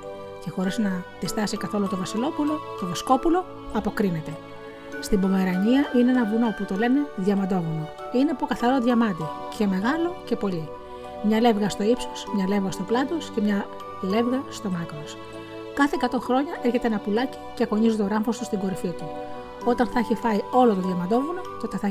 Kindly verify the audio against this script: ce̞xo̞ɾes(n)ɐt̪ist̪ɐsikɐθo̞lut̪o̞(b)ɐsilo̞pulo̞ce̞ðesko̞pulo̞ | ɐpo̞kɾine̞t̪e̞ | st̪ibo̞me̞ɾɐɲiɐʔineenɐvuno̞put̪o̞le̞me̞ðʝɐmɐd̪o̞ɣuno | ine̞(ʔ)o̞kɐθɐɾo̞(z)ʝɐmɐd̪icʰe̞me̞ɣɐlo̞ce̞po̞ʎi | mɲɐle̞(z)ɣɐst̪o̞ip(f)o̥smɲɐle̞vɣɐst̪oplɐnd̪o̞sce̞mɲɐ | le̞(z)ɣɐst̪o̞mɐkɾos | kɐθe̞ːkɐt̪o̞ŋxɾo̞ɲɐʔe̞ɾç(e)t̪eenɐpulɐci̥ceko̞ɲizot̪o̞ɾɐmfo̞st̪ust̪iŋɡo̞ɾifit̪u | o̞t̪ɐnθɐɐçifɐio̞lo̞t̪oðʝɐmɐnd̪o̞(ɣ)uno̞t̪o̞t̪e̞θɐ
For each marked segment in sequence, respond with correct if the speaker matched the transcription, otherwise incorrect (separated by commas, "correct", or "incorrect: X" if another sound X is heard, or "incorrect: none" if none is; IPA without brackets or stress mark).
correct, incorrect: v, incorrect: p, incorrect: ð, incorrect: v, incorrect: s, incorrect: v, correct, incorrect: v